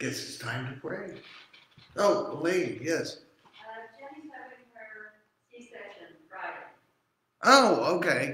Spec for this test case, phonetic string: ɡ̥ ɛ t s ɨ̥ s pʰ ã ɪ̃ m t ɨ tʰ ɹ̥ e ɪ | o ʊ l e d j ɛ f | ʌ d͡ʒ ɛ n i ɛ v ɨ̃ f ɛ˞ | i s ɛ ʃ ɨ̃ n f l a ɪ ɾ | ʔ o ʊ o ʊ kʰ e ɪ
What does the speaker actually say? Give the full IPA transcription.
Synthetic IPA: ɡ̥ ɛ t s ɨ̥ s tʰ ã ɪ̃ m t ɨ pʰ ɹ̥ e ɪ | o ʊ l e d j ɛ s | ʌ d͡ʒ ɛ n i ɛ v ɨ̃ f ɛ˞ | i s ɛ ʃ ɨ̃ n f ɹ a ɪ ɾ | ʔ o ʊ o ʊ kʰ e ɪ